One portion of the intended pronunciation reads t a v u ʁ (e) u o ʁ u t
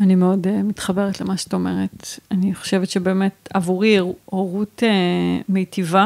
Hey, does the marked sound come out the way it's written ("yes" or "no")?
no